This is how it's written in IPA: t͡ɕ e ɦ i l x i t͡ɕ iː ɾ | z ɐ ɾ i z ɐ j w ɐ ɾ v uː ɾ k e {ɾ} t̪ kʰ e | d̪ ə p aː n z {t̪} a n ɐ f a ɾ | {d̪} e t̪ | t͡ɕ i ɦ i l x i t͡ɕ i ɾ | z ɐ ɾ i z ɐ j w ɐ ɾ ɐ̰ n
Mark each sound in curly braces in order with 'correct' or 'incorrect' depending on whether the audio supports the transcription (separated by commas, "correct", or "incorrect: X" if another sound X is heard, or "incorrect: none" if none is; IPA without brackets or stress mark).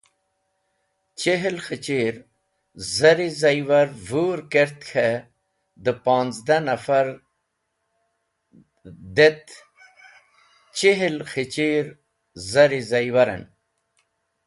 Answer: correct, incorrect: d̪, correct